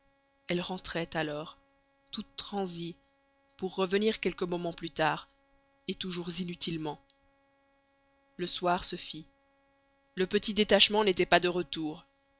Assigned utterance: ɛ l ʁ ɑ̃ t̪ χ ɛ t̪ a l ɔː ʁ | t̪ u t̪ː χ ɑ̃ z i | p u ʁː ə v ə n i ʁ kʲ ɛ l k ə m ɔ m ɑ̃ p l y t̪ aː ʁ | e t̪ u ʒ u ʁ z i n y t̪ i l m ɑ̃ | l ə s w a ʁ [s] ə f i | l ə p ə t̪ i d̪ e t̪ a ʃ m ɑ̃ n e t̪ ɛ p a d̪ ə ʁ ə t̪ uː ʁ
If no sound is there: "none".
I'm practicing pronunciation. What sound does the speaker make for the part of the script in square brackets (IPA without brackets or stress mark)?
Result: s